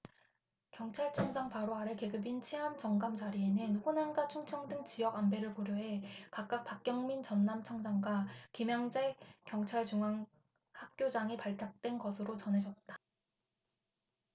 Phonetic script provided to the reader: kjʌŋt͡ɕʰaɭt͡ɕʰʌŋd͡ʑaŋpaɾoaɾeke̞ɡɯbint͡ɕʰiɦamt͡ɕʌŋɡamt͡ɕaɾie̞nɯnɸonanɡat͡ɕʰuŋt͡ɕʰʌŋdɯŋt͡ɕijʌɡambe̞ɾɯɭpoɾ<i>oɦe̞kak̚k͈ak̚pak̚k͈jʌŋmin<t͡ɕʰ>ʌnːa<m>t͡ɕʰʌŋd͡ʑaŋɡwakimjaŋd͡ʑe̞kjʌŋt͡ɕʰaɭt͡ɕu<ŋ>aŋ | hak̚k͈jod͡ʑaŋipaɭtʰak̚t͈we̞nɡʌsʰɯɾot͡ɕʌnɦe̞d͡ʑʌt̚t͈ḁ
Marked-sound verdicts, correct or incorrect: incorrect, incorrect, correct, correct

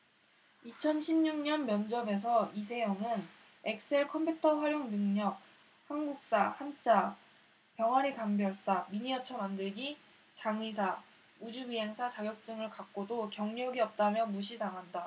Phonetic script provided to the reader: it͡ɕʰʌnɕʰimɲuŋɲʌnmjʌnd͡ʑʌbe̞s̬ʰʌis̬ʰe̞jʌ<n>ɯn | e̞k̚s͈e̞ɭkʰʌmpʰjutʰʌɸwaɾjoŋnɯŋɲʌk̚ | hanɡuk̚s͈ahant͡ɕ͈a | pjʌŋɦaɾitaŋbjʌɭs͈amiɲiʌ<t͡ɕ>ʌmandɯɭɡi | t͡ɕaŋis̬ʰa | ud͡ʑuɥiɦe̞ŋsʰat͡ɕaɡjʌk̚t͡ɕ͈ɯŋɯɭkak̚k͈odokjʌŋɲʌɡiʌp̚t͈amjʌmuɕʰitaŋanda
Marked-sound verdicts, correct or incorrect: incorrect, incorrect

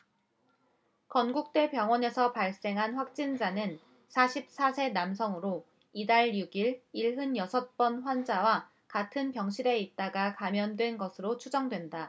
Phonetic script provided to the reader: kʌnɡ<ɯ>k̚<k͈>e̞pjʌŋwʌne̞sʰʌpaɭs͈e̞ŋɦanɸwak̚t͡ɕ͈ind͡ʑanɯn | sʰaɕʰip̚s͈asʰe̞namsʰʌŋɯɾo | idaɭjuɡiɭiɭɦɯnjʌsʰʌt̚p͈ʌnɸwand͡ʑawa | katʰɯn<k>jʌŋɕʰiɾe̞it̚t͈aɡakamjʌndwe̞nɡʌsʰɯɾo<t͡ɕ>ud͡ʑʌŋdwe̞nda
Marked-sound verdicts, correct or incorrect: incorrect, incorrect, incorrect, incorrect

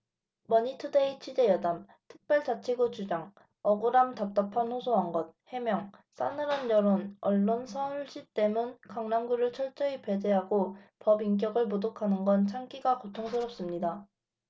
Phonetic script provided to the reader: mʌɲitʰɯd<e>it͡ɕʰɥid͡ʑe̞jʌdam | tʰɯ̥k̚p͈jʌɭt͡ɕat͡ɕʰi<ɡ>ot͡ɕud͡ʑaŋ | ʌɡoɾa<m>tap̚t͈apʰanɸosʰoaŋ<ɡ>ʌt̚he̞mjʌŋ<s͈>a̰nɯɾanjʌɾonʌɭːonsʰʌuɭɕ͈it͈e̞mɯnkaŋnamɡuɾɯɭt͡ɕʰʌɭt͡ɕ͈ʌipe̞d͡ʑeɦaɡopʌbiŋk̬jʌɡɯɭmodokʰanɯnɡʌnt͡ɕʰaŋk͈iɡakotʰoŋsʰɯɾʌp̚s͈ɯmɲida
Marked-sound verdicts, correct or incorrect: correct, correct, correct, correct, correct

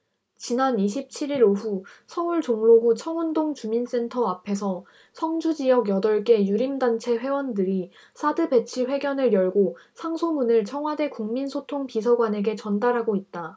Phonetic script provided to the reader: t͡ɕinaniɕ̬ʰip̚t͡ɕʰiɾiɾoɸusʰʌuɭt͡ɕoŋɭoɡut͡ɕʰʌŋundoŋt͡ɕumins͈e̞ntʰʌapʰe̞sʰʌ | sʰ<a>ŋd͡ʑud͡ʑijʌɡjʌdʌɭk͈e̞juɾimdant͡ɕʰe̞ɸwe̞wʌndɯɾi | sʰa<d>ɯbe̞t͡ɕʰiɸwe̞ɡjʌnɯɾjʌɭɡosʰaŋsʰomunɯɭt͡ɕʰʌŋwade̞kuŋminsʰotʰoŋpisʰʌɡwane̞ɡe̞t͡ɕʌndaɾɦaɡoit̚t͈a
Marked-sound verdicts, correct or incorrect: incorrect, correct

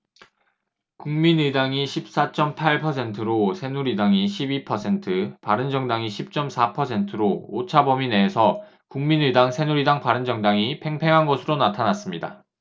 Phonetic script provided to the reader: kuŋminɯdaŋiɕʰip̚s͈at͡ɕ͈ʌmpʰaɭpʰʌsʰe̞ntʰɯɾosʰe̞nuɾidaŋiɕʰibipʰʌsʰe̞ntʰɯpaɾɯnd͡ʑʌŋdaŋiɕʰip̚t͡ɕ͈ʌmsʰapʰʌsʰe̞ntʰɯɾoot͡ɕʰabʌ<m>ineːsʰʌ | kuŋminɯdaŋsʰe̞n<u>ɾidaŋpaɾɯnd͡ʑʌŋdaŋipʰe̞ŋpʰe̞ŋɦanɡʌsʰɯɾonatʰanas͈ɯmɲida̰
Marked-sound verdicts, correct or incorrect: correct, correct

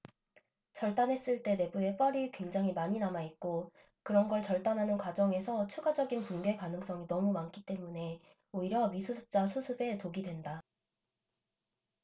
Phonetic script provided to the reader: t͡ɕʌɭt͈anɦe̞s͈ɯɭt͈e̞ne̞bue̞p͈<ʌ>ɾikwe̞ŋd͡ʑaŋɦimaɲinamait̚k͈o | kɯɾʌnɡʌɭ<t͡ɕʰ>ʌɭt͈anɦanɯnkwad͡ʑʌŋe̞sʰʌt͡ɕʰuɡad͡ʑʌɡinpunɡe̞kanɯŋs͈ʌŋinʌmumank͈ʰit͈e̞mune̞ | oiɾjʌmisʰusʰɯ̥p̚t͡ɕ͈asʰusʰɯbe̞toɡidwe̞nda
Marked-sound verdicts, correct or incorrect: correct, incorrect

